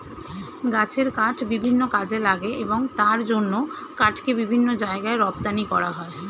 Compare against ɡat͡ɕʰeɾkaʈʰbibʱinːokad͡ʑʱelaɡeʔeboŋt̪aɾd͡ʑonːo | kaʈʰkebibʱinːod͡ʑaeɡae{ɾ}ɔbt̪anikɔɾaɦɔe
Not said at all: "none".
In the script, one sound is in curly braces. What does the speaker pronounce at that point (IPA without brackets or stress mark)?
ɾ